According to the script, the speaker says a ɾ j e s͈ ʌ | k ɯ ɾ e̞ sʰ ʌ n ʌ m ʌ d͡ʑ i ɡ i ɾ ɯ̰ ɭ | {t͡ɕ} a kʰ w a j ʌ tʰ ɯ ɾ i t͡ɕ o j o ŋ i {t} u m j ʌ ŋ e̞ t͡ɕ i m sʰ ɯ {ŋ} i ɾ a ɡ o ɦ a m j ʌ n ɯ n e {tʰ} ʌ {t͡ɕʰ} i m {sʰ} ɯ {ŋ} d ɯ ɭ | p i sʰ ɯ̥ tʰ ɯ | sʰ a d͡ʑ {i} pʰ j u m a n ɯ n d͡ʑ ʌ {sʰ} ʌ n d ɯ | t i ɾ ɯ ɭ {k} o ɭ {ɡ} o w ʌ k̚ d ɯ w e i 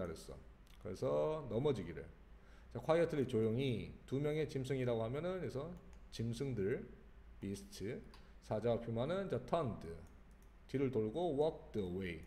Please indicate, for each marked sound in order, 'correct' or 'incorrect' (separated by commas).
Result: correct, correct, correct, incorrect, incorrect, correct, correct, incorrect, incorrect, incorrect, correct